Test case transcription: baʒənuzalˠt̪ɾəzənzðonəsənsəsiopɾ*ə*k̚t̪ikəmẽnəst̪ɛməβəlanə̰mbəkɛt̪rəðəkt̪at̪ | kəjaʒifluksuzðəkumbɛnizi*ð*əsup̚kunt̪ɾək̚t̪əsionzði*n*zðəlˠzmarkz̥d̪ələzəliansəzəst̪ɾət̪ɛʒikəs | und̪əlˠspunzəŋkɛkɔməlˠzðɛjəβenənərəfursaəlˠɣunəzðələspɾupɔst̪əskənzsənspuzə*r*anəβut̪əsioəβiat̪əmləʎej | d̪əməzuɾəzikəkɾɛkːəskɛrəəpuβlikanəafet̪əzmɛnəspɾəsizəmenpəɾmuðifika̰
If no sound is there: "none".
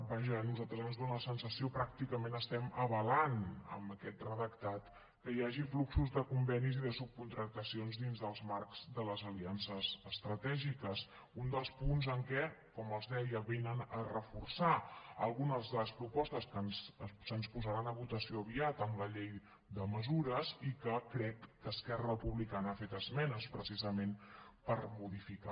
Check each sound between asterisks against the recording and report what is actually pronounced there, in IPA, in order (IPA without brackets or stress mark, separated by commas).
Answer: a, ð, n, ɾ